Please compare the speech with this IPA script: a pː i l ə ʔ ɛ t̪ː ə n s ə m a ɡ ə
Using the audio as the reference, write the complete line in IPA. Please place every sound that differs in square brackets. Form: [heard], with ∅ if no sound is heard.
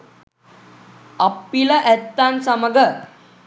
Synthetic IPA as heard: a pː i l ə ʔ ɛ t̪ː [a] n s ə m [ə] ɡ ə